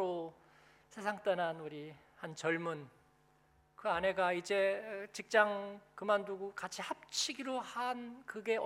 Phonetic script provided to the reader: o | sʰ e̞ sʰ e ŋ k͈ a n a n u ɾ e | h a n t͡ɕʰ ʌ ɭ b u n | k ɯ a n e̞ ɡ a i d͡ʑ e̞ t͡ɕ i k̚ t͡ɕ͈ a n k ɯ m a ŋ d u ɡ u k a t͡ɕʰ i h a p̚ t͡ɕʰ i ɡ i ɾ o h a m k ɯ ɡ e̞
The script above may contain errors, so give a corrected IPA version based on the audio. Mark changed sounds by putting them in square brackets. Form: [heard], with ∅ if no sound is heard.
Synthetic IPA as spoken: o | sʰ e̞ sʰ [a] ŋ [t͈] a n a n u ɾ [i] | h a n [t͡ɕ] ʌ ɭ [m] u n | k ɯ a n e̞ ɡ a i d͡ʑ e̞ t͡ɕ i k̚ t͡ɕ͈ a [ŋ] k ɯ m a [n] d u ɡ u k a t͡ɕʰ i h a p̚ t͡ɕʰ i ɡ i ɾ o h a [n] k ɯ ɡ e̞